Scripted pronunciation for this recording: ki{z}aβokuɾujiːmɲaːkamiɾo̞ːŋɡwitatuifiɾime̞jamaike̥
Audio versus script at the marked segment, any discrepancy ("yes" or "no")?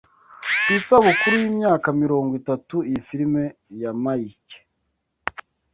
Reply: yes